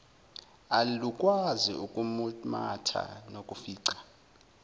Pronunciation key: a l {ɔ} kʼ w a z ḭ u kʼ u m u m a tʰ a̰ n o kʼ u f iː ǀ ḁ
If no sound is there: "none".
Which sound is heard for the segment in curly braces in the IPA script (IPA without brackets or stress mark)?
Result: u